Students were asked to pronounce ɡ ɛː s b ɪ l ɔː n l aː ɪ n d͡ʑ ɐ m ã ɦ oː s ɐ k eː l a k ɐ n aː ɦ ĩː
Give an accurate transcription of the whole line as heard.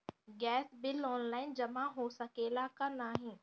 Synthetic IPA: ɡ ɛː s b ɪ l ɔː n l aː ɪ n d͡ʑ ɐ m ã ɦ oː s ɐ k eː l a k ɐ n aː ɦ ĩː